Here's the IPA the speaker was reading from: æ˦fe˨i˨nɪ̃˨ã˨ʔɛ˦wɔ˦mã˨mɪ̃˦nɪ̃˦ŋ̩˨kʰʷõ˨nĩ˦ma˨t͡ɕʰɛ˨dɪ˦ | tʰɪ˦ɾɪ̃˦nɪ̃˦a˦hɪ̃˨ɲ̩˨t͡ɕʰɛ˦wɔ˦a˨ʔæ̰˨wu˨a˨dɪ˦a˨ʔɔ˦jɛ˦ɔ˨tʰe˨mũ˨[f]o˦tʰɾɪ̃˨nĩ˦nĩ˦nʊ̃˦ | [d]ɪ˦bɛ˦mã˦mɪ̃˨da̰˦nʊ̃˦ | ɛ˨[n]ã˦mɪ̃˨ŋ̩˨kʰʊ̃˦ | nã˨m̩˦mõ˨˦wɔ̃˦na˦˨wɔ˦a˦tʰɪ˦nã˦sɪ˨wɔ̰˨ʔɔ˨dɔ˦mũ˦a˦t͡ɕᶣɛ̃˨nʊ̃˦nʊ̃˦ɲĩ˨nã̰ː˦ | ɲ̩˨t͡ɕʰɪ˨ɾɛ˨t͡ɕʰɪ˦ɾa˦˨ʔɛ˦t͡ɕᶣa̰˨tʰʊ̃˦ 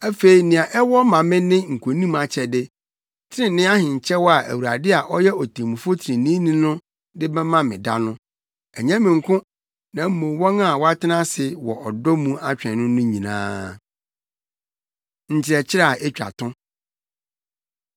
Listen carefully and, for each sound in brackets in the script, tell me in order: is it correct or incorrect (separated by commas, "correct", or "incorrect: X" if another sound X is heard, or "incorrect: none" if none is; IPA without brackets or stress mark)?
correct, correct, incorrect: ɲ